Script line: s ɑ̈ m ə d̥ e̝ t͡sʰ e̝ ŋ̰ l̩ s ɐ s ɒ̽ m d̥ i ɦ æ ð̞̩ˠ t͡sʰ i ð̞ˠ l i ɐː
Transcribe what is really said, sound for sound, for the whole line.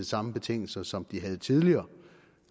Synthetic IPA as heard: s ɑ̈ m ə b̥ e̝ t͡sʰ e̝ ŋ̰ l̩ s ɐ s ɒ̽ m d̥ i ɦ æ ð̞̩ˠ t͡sʰ i ð̞ˠ l i ɐː